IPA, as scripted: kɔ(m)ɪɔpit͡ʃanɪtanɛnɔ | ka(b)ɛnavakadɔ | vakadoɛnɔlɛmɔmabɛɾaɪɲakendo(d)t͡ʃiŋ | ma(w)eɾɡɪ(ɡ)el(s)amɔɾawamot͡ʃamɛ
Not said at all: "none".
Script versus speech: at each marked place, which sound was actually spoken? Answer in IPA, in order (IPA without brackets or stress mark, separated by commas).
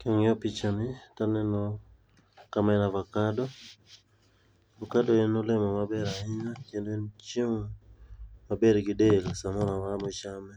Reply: ŋ, m, n, b, d, s